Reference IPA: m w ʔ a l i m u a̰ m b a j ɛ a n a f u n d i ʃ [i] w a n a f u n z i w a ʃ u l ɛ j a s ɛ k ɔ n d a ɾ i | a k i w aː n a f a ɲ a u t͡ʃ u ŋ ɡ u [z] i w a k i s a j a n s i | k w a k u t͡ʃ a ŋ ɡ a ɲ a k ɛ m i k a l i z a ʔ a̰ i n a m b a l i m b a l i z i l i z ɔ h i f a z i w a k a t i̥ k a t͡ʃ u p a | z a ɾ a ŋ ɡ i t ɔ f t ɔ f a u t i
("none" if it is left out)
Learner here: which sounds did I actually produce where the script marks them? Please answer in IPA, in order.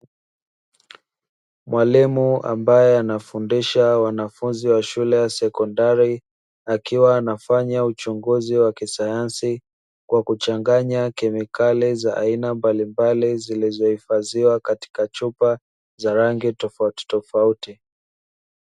a, z

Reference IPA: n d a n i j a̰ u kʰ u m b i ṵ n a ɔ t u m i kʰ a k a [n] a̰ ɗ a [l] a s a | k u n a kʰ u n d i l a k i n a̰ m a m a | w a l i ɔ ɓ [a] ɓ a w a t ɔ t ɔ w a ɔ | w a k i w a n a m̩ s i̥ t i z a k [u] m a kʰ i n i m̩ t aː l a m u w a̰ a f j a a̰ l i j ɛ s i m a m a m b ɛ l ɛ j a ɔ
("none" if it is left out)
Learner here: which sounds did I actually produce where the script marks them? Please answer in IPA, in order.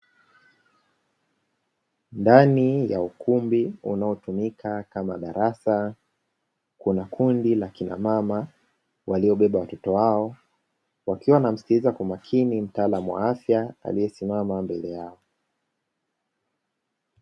m, ɾ, ɛ, u

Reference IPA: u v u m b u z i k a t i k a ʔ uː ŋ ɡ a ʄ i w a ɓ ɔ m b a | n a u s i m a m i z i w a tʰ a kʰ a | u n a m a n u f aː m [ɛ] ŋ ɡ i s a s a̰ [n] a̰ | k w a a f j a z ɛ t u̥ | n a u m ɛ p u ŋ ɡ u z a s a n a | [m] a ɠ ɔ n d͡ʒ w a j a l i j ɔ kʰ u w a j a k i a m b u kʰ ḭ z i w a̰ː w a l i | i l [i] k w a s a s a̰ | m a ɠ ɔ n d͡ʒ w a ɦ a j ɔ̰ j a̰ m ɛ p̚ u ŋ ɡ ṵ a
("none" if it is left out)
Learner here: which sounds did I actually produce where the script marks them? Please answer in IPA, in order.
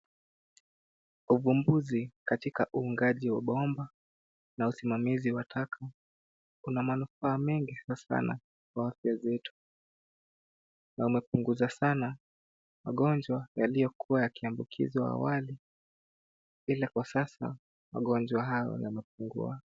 ɛ, n, m, a

